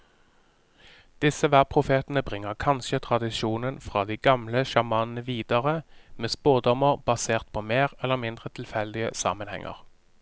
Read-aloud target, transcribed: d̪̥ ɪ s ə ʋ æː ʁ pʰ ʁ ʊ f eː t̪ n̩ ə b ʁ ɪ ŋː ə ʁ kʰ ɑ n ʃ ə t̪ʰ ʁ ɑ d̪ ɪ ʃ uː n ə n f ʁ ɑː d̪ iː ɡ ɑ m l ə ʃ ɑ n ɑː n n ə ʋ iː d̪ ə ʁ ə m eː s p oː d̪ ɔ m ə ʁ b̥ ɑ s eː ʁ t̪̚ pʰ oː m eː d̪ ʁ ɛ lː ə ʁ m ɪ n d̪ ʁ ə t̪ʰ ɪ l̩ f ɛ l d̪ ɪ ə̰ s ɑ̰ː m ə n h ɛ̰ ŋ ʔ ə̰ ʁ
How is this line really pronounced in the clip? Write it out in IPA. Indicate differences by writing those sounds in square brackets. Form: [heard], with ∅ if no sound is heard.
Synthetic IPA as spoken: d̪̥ ɪ s ə ʋ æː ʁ pʰ ʁ ʊ f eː t̪ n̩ ə b ʁ ɪ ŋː ə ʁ kʰ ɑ n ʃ ə t̪ʰ ʁ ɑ d̪ ɪ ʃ uː n ə n f ʁ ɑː d̪ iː ɡ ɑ m l ə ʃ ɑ [m] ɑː n n ə ʋ iː d̪ ə ʁ ə m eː s p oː d̪ ɔ m ə ʁ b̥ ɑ s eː ʁ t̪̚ pʰ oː m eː [∅] ʁ ɛ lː ə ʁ m ɪ n d̪ ʁ ə t̪ʰ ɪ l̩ f ɛ l d̪ ɪ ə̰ s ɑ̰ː m ə n h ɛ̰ ŋ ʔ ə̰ ʁ